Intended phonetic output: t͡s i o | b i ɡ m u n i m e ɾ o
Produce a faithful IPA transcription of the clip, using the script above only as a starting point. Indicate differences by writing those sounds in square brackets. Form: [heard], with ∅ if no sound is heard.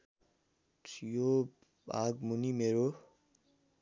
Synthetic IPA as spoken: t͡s [j] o | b [a] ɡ m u n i m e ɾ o

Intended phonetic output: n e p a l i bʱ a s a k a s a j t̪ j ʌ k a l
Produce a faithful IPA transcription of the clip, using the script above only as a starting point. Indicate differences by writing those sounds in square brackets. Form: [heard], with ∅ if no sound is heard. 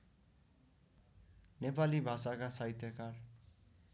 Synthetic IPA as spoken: n e p a l i bʱ a s a k a s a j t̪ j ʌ k a [r]

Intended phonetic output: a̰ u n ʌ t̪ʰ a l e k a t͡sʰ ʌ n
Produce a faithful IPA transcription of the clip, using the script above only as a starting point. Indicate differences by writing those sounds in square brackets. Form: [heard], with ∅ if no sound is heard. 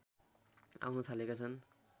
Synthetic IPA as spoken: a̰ [w] n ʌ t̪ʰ a l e k a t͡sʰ ʌ n

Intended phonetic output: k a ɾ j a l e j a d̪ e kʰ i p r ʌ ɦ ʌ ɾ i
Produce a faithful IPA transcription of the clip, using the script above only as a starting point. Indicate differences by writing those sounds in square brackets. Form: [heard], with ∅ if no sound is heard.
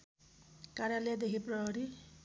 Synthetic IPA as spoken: k a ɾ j a l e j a d̪ e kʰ i p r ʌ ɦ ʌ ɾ i

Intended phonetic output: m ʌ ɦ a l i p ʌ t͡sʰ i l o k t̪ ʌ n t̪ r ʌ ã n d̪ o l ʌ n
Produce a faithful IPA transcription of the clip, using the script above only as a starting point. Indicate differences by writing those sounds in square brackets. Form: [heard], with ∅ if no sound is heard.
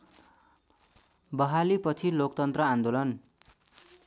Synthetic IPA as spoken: [b] ʌ ɦ a l i p ʌ t͡sʰ i l o k t̪ ʌ n t̪ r ʌ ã n d̪ o l ʌ n

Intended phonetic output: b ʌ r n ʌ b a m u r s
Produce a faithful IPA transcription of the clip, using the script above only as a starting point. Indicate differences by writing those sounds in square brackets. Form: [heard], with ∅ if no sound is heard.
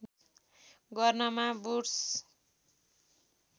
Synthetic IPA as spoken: [ɡ] ʌ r n ʌ [m] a [b] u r s

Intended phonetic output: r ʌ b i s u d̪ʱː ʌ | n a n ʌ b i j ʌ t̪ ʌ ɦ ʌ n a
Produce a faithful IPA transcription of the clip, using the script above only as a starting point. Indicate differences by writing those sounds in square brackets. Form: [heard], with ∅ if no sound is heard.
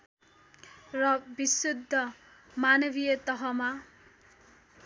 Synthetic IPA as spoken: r ʌ b i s u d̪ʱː ʌ | [m] a n ʌ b i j ʌ t̪ ʌ ɦ ʌ [m] a

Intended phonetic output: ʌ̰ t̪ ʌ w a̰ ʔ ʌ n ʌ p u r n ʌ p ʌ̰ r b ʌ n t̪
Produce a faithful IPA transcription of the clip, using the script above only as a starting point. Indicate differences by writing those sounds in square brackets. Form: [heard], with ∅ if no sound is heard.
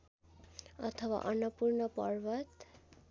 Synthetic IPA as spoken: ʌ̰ [t̪ʰ] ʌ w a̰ ʔ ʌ n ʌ p u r n ʌ p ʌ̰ r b ʌ [∅] t̪

